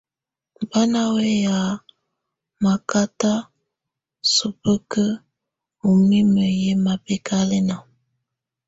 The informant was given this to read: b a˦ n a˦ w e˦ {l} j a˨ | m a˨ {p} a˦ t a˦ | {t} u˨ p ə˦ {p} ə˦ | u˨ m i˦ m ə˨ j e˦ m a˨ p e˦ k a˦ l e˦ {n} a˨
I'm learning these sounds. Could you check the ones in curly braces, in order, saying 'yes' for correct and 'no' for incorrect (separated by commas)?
no, no, no, no, yes